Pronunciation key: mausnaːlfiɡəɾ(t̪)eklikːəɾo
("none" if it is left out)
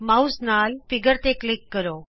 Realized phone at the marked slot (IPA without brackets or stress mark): t̪